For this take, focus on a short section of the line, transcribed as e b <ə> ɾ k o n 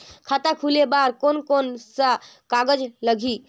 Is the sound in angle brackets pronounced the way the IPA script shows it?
no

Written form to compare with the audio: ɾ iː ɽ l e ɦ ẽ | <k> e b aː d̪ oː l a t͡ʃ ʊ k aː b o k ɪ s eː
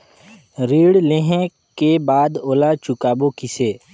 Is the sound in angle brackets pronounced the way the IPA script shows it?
yes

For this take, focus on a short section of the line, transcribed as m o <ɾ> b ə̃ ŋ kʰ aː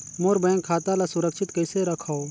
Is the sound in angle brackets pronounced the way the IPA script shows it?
yes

